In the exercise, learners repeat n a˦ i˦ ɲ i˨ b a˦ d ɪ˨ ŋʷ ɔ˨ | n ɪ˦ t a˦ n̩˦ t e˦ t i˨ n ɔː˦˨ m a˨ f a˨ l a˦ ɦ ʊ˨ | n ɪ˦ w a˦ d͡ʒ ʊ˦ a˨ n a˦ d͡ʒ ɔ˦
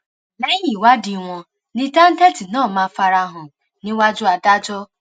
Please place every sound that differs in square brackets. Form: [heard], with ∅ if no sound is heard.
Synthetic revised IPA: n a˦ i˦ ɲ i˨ [w] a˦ d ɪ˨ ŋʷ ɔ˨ | n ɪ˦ t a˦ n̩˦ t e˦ t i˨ n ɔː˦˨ m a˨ f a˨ [ɾ] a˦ ɦ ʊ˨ | n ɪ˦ w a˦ d͡ʒ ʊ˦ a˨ [d] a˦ d͡ʒ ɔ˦